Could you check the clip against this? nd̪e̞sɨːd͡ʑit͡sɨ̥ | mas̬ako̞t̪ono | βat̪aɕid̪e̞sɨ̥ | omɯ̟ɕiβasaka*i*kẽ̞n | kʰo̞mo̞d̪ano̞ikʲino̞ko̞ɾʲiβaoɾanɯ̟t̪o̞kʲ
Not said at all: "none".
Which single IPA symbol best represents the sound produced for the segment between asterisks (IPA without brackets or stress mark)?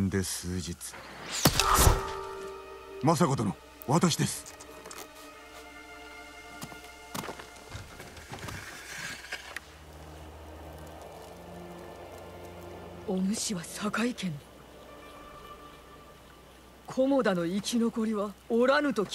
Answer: i